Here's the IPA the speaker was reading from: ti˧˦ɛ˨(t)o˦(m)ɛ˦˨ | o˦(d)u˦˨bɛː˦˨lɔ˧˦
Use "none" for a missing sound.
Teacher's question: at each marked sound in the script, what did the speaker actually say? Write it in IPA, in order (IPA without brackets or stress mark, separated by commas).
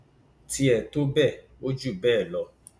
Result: t, b, d͡ʒ